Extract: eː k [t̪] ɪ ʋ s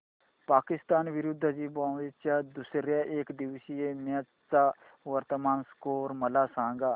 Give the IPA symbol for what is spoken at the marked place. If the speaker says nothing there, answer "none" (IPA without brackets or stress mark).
d̪